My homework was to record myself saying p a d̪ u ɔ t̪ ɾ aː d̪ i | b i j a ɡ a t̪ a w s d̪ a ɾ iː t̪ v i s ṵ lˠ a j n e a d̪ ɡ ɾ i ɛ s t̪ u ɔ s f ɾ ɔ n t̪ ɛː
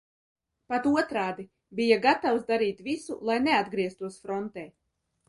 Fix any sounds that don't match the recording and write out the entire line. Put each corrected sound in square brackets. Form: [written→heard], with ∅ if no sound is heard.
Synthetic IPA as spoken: p a [d̪→t̪] u ɔ t̪ ɾ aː d̪ i | b i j a ɡ a t̪ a w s d̪ a ɾ iː t̪ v i s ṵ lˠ a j n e a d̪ ɡ ɾ i ɛ s t̪ u ɔ s f ɾ ɔ n t̪ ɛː

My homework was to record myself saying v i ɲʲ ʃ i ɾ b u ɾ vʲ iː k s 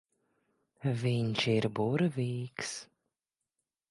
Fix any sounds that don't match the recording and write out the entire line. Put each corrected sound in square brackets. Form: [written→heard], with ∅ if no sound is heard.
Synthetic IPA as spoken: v i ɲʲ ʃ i ɾ b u ɾ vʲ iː k s

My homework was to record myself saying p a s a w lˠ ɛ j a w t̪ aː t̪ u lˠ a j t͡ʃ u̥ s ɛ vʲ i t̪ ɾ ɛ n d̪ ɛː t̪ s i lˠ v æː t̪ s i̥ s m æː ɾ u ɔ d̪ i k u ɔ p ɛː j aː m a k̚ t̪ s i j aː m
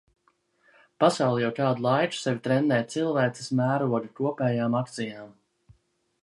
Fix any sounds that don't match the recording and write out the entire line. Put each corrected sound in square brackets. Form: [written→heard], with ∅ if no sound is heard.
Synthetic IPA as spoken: p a s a w lˠ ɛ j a w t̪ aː [t̪→d̪] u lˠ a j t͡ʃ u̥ s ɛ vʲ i t̪ ɾ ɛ n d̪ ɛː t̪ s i lˠ v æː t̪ s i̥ s m æː ɾ u ɔ d̪ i k u ɔ p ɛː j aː m a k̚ t̪ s i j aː m

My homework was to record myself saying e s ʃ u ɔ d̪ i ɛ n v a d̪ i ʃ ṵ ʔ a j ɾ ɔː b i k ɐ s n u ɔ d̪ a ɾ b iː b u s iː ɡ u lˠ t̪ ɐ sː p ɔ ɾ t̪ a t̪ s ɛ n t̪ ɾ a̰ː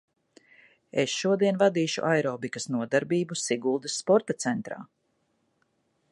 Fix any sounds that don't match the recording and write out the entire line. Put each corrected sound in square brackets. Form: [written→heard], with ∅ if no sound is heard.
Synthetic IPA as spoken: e s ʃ u ɔ d̪ i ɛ n v a d̪ [i→iː] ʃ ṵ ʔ a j ɾ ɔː b i k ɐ s n u ɔ d̪ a ɾ b iː b u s [iː→i] ɡ u lˠ [t̪→d̪] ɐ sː p ɔ ɾ t̪ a t̪ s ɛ n t̪ ɾ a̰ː

